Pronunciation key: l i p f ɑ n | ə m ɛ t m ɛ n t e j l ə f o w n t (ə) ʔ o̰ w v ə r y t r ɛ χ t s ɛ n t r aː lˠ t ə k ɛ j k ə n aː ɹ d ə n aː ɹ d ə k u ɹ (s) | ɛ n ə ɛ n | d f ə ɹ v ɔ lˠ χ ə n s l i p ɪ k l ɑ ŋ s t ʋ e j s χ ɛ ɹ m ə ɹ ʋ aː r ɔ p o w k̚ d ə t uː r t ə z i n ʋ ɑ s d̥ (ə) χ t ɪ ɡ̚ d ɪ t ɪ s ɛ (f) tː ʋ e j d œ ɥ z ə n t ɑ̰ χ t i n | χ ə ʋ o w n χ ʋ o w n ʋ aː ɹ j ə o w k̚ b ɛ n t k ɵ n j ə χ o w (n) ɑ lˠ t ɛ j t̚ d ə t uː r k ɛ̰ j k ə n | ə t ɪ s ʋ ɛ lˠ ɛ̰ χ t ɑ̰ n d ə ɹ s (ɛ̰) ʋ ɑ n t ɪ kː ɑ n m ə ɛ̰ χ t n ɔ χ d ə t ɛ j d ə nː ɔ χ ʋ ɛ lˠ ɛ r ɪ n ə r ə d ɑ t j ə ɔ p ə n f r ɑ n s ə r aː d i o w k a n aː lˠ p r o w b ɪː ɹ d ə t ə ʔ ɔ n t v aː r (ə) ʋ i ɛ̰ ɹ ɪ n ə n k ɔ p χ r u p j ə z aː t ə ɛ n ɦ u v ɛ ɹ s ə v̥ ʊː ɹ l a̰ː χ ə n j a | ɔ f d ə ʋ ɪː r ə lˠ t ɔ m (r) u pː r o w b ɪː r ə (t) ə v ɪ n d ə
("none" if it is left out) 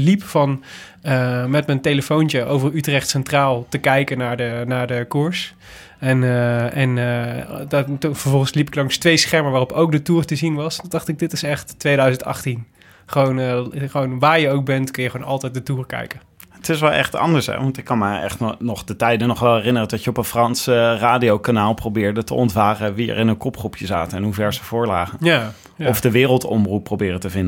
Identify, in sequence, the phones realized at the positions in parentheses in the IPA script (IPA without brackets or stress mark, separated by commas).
ə, s, ɑ, χ, n, ɛ̰, ə, r, t